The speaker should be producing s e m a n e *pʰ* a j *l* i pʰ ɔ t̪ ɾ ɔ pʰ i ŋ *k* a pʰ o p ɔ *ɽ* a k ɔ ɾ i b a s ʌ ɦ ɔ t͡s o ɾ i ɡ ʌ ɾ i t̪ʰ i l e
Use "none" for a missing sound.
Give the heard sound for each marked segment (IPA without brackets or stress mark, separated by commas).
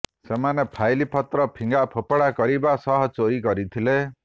pʰ, l, ɡ, ɽ